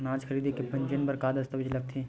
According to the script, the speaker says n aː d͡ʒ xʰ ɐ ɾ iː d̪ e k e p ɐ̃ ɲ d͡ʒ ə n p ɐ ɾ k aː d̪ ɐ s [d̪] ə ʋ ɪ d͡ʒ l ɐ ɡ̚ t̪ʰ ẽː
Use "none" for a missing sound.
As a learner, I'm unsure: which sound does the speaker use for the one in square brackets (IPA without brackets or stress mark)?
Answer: t̪